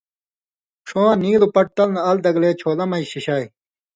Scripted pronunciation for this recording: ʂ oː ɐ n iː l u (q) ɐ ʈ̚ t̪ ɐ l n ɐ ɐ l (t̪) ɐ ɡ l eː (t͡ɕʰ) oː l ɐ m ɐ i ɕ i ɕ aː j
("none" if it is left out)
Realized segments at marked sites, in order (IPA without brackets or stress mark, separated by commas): p, d̪, t͡ɕʰ